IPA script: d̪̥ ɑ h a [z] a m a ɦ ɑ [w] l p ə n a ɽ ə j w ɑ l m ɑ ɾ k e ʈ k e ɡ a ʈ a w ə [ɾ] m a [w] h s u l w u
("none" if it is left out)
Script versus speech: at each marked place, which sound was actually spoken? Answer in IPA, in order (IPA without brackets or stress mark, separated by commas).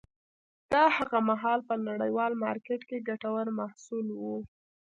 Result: ɣ, none, ɾ, none